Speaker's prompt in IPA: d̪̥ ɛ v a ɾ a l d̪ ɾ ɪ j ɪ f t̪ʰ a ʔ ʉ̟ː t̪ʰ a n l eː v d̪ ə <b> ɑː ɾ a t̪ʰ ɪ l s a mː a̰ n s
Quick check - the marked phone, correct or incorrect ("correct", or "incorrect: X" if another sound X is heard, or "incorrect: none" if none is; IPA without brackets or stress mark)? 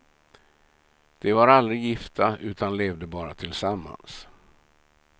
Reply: correct